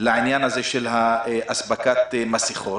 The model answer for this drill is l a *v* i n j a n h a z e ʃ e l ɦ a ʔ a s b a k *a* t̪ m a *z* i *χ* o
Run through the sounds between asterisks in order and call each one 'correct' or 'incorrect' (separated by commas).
incorrect, correct, incorrect, correct